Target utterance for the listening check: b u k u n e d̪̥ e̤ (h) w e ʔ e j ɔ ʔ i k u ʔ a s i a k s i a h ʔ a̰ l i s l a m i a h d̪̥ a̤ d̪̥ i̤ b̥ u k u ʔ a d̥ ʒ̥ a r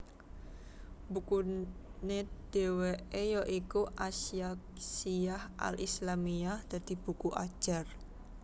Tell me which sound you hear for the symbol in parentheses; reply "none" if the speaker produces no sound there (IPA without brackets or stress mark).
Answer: none